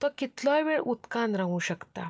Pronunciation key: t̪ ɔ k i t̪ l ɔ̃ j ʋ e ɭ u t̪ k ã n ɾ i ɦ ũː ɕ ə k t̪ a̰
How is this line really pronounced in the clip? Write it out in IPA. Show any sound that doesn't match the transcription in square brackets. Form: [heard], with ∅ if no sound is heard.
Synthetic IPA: t̪ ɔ k i t̪ l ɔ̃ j ʋ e ɭ u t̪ k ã n ɾ [a] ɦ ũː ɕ ə k t̪ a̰

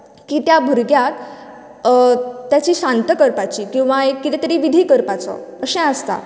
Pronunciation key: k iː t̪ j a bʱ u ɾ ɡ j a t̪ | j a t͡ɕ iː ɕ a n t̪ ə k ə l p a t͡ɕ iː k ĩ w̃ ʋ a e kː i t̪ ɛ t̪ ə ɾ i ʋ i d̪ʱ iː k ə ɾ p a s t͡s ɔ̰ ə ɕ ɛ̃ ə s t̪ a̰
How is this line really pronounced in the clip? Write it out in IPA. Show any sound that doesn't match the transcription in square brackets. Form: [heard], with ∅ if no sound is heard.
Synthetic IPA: k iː t̪ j a bʱ u ɾ ɡ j a t̪ | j a t͡ɕ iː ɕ a n t̪ ə k ə [ɾ] p a t͡ɕ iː k ĩ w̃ ʋ a e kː i t̪ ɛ t̪ ə ɾ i ʋ i d̪ʱ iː k ə ɾ p a [∅] t͡s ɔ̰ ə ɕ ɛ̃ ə s t̪ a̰

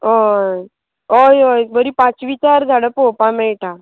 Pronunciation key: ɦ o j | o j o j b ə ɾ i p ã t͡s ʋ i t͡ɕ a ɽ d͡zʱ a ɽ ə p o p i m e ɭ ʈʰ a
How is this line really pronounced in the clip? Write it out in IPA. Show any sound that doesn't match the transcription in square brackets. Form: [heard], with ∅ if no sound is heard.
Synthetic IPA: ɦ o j | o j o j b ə ɾ i p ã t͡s ʋ i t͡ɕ a [ɾ] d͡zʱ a ɽ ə p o p [a] m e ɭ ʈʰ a

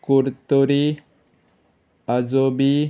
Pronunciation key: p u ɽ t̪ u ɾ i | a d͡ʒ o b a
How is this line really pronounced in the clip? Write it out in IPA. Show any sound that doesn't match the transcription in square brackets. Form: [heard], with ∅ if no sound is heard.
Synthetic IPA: [k] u [ɾ] t̪ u ɾ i | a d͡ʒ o b [i]

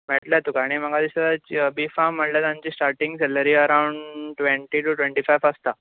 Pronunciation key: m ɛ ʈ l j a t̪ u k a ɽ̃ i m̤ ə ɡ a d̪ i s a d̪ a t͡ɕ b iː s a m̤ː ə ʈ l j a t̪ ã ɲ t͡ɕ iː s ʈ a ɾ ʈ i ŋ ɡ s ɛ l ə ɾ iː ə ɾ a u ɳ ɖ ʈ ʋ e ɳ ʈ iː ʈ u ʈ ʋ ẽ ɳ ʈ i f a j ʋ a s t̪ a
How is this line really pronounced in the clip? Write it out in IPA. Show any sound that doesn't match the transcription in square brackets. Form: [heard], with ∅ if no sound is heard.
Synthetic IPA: m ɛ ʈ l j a t̪ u k a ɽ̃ i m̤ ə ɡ a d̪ i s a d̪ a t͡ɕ b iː [f] a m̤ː ə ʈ l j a t̪ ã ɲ t͡ɕ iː s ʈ a ɾ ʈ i ŋ ɡ s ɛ l ə ɾ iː ə ɾ a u ɳ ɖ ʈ ʋ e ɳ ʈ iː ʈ u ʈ ʋ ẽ ɳ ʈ i f a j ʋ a s t̪ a

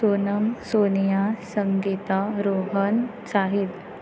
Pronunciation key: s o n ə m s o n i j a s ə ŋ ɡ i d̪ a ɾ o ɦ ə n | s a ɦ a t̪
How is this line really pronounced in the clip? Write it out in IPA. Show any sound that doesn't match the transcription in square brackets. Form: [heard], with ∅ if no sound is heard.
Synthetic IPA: s o n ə m s o n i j a s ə ŋ ɡ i [t̪] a ɾ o ɦ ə n | s a ɦ [i] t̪

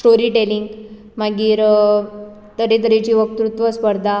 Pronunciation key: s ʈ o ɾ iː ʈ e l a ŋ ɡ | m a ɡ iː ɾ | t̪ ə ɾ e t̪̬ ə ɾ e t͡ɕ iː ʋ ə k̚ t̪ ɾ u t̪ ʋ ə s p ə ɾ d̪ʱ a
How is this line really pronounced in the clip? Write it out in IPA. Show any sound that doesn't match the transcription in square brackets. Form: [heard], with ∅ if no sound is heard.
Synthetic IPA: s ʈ o ɾ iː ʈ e l [i] ŋ ɡ | m a ɡ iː ɾ | t̪ ə ɾ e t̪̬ ə ɾ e t͡ɕ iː ʋ ə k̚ t̪ ɾ u t̪ ʋ ə s p ə ɾ d̪ʱ a

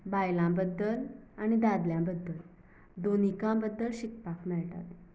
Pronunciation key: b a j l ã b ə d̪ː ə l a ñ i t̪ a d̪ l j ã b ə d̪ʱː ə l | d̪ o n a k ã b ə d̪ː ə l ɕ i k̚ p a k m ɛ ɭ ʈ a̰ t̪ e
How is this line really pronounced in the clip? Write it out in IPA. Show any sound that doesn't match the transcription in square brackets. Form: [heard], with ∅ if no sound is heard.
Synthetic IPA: b a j l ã b ə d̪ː ə l a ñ i [d̪] a d̪ l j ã b ə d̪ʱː ə l | d̪ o n [i] k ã b ə d̪ː ə l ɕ i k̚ p a k m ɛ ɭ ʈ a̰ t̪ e

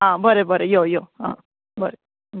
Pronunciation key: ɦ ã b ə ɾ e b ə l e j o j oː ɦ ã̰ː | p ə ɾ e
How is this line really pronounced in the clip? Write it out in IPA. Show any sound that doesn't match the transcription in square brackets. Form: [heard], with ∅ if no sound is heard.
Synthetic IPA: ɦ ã b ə ɾ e b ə [ɾ] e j o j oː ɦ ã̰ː | [b] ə ɾ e

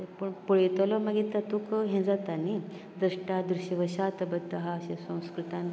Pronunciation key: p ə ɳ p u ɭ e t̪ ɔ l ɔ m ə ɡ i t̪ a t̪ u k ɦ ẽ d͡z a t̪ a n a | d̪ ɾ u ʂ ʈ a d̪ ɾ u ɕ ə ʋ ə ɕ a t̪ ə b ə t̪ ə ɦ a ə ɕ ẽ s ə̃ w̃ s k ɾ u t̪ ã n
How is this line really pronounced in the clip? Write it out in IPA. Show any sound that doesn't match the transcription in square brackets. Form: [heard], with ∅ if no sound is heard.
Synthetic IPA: p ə ɳ p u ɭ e t̪ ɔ l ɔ m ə ɡ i t̪ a t̪ u k ɦ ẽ d͡z a t̪ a n [i] | d̪ ɾ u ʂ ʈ a d̪ ɾ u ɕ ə ʋ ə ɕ a t̪ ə b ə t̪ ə ɦ a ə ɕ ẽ s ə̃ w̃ s k ɾ u t̪ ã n

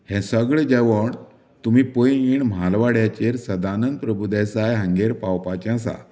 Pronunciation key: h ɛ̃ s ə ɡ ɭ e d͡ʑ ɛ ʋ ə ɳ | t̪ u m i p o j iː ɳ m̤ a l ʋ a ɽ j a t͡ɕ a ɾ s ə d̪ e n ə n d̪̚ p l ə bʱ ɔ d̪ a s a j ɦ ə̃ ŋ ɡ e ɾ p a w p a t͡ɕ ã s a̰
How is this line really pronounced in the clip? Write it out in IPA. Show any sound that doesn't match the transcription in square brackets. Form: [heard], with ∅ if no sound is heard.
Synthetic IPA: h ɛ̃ s ə ɡ ɭ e d͡ʑ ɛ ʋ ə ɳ | t̪ u m i p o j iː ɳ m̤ a l ʋ a ɽ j a t͡ɕ [e] ɾ s ə d̪ [a] n ə n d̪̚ p [ɾ] ə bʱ [u] d̪ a s a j ɦ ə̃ ŋ ɡ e ɾ p a w p a t͡ɕ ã s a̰

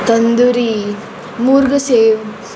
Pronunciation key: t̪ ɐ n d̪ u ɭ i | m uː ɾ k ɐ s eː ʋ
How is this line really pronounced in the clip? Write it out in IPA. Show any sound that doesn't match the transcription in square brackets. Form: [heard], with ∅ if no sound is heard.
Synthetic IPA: t̪ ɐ n d̪ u [ɾ] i | m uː ɾ [ɡ] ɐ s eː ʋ

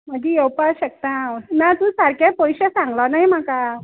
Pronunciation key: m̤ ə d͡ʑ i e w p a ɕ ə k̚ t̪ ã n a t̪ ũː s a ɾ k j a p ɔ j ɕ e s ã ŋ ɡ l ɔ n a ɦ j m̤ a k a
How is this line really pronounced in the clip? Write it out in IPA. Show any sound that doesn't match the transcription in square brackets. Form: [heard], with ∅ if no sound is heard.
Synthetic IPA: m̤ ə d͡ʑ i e w p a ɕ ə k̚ t̪ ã n a t̪ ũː s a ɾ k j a p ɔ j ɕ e s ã ŋ ɡ l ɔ n a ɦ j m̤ a k a

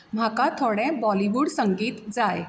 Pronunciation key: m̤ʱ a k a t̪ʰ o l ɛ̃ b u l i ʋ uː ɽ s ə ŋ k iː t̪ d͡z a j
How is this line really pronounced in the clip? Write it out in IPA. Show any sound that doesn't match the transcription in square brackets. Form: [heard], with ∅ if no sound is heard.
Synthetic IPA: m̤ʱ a k a t̪ʰ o [ɽ] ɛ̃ b [ɔ] l i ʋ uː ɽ s ə ŋ [ɡ] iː t̪ d͡z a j

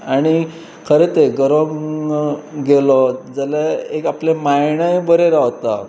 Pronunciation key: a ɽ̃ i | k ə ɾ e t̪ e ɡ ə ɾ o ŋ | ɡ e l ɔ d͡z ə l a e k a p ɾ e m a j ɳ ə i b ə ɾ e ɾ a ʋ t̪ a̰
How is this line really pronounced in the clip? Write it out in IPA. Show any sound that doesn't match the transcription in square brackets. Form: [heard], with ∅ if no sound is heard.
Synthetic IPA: a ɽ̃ i | [kʰ] ə ɾ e t̪ e ɡ ə ɾ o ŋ | ɡ e l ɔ d͡z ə l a e k a p [l] e m a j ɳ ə [j] b ə ɾ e ɾ a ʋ t̪ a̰

